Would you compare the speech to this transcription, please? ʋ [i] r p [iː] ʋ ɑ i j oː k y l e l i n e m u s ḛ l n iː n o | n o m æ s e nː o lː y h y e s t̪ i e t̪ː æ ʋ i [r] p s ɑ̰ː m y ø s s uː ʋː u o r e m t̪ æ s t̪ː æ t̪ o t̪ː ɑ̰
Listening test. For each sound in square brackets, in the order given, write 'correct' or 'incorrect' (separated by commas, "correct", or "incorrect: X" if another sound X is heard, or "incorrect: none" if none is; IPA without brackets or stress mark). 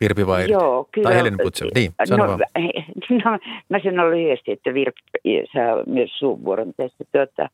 correct, incorrect: i, correct